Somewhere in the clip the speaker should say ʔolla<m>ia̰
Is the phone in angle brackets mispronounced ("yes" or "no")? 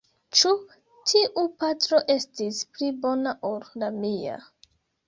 no